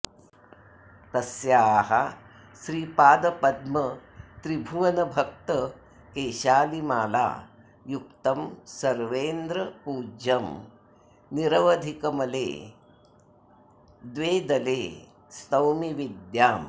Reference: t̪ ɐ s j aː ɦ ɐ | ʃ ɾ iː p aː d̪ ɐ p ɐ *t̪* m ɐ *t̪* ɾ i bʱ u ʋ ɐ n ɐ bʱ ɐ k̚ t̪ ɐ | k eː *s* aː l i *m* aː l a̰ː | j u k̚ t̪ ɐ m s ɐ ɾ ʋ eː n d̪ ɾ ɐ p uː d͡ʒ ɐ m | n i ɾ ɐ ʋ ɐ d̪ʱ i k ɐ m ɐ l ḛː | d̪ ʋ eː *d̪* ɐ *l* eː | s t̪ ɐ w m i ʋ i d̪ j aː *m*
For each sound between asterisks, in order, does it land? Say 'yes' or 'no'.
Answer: no, yes, no, yes, yes, yes, yes

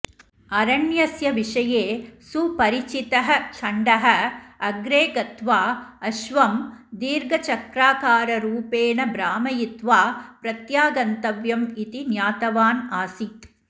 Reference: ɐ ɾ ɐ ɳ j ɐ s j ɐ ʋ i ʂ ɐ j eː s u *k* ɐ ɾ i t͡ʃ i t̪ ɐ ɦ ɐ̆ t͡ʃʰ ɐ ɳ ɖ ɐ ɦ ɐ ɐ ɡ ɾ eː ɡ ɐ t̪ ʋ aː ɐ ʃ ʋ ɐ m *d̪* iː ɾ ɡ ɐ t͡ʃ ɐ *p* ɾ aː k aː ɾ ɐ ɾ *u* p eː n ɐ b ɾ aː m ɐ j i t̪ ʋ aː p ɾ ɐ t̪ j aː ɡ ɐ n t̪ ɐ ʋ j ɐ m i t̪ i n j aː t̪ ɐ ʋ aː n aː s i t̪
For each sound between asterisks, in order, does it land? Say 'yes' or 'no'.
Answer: no, yes, no, no

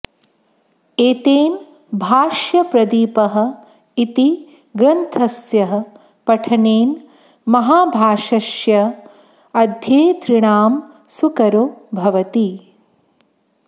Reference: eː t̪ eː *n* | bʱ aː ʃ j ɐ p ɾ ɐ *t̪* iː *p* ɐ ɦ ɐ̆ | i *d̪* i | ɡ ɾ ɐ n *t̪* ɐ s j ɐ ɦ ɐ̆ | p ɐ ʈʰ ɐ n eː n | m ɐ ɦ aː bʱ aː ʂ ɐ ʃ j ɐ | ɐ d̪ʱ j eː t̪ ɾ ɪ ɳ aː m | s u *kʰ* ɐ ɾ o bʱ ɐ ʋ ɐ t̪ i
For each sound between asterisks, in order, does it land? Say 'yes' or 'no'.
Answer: yes, no, yes, no, no, no

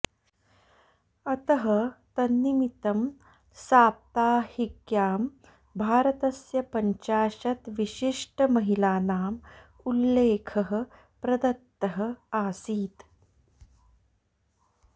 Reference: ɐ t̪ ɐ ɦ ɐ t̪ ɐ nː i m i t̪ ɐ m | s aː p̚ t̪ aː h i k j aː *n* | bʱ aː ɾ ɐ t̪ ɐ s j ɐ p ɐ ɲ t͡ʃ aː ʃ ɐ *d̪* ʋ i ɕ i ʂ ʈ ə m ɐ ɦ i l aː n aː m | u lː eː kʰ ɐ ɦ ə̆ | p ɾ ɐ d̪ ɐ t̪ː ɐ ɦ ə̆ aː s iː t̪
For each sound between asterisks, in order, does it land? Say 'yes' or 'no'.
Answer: no, no

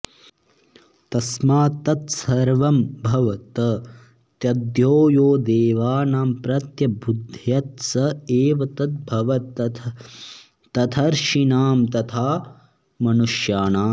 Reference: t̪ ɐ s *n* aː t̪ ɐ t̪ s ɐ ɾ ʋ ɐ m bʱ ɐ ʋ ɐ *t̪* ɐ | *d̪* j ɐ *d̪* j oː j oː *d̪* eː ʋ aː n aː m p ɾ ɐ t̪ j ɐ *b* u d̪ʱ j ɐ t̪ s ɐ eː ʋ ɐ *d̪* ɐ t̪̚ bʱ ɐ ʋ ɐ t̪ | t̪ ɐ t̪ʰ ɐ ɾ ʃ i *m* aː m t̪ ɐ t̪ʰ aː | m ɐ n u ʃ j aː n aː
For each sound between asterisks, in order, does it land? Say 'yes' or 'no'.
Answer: no, yes, no, yes, yes, yes, no, no

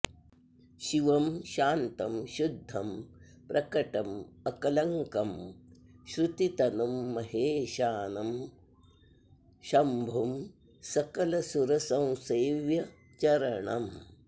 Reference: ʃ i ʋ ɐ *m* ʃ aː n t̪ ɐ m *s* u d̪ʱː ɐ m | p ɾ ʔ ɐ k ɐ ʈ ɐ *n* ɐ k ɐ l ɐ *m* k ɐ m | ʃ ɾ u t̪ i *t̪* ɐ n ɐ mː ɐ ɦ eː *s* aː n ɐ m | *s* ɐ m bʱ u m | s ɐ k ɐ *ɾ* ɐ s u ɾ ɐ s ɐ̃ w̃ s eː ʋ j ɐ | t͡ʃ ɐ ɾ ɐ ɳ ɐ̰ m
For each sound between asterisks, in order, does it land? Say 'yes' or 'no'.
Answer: yes, no, no, no, yes, no, no, no

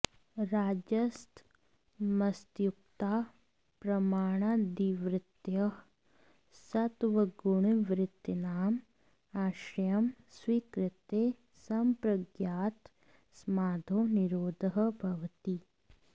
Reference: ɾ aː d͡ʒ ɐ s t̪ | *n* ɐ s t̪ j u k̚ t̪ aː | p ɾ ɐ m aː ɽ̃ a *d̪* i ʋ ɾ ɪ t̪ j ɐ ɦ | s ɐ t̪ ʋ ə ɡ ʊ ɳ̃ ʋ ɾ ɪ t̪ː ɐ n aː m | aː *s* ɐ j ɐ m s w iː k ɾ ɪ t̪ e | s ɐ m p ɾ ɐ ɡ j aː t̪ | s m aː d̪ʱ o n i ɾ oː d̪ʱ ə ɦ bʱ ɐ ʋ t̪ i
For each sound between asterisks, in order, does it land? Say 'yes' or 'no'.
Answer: no, yes, no

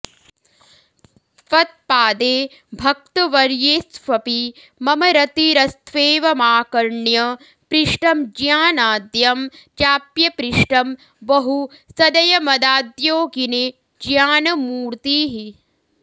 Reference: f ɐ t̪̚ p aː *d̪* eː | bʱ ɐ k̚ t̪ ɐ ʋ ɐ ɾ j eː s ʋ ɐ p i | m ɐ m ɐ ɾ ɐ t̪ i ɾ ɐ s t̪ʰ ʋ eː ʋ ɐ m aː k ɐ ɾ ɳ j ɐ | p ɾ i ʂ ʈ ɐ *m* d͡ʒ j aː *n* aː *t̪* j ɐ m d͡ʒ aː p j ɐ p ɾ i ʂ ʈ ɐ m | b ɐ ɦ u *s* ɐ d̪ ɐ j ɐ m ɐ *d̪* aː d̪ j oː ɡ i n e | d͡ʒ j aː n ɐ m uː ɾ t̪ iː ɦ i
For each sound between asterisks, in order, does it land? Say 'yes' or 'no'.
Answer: yes, yes, yes, no, yes, yes

